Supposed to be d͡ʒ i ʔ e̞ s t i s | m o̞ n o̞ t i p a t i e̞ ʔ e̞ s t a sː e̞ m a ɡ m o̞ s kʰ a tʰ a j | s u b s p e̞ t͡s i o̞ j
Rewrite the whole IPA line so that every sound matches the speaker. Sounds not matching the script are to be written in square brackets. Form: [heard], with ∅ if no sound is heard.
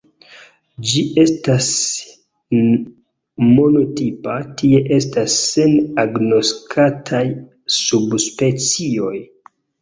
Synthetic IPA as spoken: d͡ʒ i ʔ e̞ s t [a] s | m o̞ n o̞ t i p a t i e̞ ʔ e̞ s t a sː e̞ [n] a ɡ [n] o̞ s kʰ a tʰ a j | s u b s p e̞ t͡s i o̞ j